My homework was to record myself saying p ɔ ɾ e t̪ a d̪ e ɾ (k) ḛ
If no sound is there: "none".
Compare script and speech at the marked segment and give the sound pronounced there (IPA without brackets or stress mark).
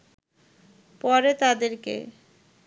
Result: k